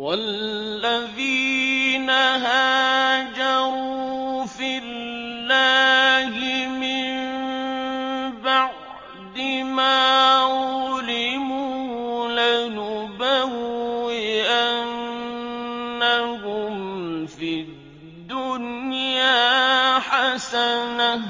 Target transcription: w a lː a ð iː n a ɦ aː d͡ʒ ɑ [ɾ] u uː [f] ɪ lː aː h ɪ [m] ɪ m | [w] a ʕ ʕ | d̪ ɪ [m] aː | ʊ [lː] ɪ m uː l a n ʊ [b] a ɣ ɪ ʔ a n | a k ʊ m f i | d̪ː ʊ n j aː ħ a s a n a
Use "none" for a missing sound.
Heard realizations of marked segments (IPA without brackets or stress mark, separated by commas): ɾ, f, m, b, m, l, b